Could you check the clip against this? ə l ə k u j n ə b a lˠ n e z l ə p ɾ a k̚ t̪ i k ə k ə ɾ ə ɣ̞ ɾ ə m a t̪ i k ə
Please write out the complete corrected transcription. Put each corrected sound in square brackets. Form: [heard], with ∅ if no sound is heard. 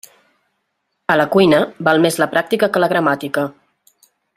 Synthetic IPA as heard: ə l ə k u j n ə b a lˠ [m] e z l ə p ɾ a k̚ t̪ i k ə k ə [l] ə ɣ̞ ɾ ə m a t̪ i k ə